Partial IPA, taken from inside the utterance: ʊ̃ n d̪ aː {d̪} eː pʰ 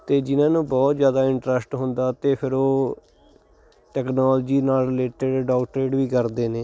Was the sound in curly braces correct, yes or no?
no